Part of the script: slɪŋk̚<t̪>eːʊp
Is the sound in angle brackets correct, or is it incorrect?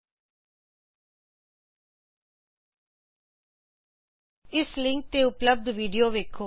correct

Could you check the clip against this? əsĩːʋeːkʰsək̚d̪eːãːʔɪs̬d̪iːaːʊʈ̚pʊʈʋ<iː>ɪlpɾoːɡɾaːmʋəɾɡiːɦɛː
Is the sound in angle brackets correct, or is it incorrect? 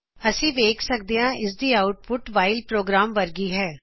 incorrect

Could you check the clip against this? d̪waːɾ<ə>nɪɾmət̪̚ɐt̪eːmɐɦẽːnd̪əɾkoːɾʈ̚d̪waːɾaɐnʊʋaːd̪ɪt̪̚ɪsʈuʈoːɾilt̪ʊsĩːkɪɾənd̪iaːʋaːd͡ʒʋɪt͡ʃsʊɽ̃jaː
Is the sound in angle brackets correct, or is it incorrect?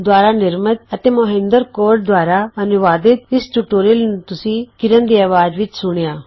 incorrect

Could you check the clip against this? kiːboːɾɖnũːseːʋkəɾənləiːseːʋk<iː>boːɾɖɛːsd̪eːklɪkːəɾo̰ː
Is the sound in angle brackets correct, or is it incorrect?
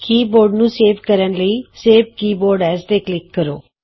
correct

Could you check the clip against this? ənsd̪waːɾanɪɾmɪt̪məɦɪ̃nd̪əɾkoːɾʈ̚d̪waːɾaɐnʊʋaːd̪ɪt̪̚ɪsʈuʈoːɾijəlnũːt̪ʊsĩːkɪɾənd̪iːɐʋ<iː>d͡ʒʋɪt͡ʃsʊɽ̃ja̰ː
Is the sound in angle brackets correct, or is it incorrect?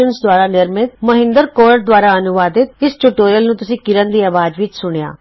incorrect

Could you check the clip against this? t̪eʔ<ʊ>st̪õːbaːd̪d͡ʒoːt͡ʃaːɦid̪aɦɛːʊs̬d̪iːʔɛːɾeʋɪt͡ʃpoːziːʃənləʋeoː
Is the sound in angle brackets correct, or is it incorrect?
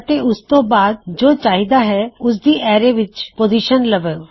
correct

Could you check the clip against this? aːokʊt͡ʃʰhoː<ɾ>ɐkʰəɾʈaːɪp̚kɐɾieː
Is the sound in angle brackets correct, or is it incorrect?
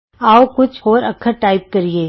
correct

